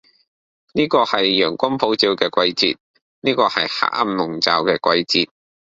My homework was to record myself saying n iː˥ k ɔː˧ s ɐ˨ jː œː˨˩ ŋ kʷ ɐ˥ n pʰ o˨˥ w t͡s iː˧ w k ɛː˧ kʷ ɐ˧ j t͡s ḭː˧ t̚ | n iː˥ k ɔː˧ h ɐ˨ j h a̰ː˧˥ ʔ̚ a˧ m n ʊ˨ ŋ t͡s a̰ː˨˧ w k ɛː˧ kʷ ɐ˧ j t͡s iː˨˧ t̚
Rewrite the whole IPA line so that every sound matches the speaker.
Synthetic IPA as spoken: n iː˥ k ɔː˧ h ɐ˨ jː œː˨˩ ŋ kʷ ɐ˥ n pʰ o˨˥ w t͡s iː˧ w k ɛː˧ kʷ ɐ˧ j t͡s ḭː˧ t̚ | n iː˥ k ɔː˧ h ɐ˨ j h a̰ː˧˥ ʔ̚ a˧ m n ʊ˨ ŋ t͡s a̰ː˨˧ w k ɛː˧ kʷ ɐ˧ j t͡s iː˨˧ t̚